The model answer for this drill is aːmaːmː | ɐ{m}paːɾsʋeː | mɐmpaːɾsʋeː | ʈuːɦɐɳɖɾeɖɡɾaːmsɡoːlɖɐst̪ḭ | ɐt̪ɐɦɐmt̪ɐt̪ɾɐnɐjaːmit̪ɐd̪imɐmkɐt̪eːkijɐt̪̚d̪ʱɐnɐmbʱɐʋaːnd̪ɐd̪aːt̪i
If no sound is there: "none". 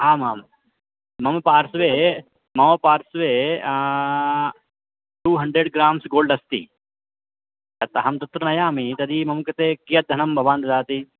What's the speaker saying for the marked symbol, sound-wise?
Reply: m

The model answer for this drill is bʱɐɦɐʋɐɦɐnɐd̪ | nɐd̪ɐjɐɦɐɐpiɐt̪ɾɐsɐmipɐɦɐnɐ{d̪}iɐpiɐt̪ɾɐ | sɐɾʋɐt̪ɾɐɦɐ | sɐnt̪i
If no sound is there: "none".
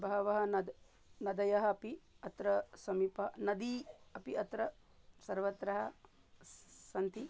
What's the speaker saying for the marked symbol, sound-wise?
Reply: d̪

